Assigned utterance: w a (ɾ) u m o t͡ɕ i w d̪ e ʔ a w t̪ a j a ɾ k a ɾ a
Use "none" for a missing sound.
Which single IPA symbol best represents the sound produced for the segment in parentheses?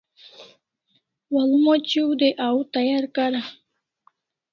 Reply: l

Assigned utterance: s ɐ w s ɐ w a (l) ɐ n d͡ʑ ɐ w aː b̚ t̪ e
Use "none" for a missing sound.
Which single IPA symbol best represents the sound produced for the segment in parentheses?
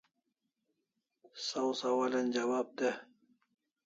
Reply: l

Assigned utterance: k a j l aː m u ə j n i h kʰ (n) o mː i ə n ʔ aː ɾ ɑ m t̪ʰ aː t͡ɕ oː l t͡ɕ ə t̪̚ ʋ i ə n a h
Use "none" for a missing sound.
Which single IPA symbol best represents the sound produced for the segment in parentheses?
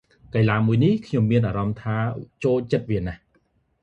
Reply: ɲ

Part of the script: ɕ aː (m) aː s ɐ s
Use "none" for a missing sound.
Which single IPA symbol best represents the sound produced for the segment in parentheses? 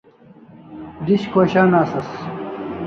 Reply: n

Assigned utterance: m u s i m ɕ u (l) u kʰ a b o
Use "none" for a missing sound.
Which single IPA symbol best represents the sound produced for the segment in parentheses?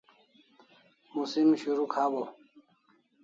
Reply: ɾ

